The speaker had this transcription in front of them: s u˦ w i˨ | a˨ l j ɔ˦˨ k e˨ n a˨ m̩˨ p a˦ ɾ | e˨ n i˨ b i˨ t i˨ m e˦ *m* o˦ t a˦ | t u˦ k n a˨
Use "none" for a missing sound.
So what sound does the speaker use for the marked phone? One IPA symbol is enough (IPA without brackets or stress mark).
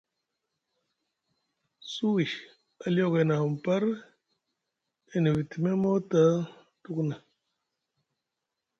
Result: m